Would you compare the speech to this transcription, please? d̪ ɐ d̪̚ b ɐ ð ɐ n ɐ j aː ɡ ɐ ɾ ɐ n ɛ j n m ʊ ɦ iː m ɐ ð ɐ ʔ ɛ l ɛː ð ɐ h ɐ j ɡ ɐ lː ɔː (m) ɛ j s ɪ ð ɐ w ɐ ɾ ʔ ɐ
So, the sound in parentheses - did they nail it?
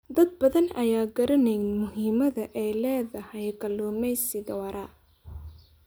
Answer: yes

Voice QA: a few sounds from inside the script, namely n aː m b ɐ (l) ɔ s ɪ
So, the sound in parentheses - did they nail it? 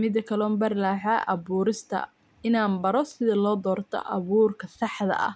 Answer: no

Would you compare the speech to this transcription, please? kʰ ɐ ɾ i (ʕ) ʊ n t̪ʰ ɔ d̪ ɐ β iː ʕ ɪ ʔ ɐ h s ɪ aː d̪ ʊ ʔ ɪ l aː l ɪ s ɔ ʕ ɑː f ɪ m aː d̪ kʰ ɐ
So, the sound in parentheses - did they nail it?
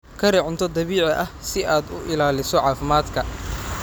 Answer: yes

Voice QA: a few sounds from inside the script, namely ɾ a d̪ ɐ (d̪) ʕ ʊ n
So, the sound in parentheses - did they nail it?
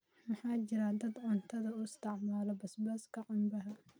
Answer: yes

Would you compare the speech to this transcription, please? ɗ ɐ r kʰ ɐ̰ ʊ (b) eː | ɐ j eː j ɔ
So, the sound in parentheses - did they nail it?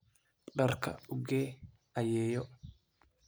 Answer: no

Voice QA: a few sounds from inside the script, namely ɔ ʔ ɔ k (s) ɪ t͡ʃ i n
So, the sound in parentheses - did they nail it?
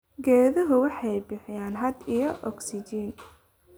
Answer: yes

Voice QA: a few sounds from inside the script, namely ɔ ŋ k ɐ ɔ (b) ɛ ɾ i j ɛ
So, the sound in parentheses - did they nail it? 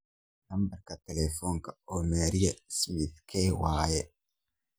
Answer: no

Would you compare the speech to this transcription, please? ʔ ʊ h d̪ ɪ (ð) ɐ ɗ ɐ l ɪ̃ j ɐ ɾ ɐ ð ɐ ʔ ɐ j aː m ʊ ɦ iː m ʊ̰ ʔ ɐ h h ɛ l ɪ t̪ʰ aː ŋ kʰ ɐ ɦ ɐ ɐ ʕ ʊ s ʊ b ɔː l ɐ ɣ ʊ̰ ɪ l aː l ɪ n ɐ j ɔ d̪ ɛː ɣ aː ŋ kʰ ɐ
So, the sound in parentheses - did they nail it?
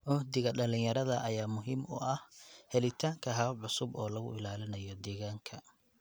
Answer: no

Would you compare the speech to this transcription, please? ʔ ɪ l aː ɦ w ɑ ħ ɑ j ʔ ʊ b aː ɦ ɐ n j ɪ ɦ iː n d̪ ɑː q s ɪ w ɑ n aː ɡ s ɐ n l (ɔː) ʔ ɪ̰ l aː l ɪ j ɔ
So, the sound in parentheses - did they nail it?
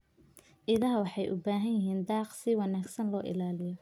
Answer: yes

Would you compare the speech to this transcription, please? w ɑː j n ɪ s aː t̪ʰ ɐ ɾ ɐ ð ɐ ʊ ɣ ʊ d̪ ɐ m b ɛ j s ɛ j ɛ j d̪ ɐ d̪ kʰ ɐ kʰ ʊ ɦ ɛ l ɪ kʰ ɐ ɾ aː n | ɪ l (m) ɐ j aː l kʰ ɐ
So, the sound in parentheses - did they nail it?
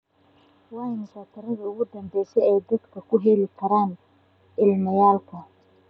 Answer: yes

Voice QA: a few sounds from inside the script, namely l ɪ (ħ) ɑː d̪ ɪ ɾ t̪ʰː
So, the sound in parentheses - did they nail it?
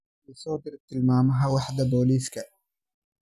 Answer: no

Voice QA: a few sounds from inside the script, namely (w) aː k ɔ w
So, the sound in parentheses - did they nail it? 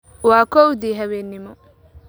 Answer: yes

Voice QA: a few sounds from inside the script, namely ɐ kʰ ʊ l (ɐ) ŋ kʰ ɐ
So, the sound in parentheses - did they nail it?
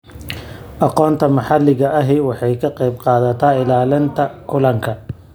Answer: yes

